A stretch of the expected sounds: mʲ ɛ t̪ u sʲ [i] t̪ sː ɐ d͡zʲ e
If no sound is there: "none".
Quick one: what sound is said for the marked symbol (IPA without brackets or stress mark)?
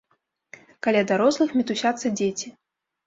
a